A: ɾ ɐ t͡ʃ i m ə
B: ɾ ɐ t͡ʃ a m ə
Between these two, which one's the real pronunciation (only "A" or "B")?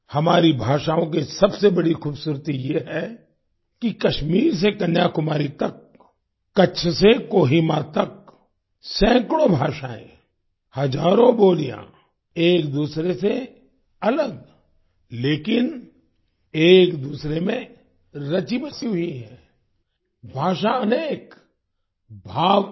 A